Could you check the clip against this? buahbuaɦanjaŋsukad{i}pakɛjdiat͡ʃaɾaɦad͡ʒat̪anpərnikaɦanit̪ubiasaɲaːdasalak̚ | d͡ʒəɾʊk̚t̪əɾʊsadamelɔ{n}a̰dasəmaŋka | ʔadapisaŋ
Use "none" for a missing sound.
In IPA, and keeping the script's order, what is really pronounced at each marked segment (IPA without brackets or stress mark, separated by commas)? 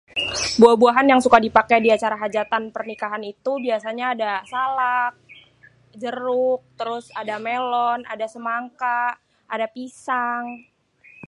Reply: i, n